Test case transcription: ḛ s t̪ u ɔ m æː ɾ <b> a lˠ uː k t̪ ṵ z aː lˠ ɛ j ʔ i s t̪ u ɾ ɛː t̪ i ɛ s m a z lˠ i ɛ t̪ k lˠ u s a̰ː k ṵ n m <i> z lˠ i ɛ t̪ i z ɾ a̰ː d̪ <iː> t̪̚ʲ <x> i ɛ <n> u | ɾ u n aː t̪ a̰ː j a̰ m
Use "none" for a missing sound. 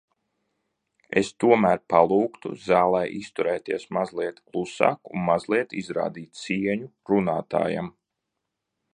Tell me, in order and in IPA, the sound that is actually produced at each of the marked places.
p, a, iː, s, ɲ

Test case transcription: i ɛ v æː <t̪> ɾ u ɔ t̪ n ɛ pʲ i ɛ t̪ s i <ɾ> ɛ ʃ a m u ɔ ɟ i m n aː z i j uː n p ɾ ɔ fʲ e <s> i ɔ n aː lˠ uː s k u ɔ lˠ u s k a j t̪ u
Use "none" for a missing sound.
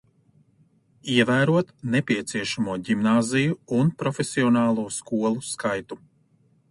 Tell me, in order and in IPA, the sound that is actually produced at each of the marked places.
none, none, s

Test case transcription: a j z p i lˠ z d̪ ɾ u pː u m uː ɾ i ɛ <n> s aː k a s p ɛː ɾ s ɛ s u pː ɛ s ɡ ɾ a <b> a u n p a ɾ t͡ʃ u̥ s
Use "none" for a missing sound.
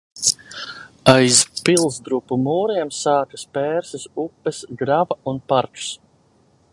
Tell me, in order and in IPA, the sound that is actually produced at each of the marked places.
m, v

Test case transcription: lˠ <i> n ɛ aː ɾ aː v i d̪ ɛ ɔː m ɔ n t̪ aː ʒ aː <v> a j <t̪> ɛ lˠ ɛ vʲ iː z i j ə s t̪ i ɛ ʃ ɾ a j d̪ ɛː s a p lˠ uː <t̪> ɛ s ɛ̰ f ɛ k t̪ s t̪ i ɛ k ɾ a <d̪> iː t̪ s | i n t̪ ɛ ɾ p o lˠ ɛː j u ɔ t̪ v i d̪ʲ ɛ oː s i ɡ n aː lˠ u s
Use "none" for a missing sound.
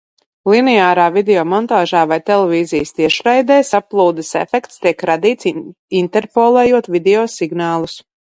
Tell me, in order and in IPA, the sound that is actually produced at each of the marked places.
i, v, t̪, d̪, d̪

